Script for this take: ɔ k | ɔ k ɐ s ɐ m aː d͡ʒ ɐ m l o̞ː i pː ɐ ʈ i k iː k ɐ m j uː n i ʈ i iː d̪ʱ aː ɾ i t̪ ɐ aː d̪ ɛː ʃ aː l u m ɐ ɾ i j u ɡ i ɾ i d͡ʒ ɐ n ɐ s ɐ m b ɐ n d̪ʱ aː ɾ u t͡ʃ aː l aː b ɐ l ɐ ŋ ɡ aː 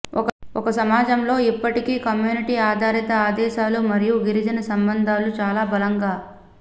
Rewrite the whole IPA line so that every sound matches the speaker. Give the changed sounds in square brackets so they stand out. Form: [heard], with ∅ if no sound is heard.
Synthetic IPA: ɔ k | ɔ k ɐ s ɐ m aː d͡ʒ ɐ m l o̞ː i pː ɐ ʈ i k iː k ɐ m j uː n i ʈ i [aː] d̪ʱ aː ɾ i t̪ ɐ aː d̪ ɛː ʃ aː l u m ɐ ɾ i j u ɡ i ɾ i d͡ʒ ɐ n ɐ s ɐ m b ɐ n d̪ʱ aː [l] u t͡ʃ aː l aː b ɐ l ɐ ŋ ɡ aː